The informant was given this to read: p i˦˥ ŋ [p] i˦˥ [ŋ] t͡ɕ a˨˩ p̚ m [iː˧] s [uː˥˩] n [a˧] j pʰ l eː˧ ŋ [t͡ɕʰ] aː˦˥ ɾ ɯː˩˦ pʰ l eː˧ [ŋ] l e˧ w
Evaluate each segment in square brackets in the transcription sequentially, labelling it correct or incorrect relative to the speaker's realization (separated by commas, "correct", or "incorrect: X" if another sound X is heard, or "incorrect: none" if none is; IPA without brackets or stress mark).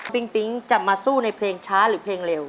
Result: correct, correct, incorrect: aː˧, correct, correct, correct, correct